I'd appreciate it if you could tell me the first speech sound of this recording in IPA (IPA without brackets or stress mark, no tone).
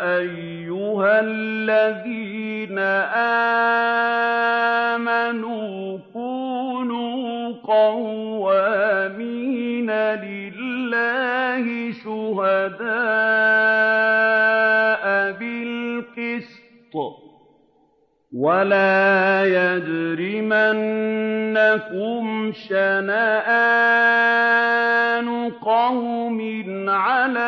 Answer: ʔ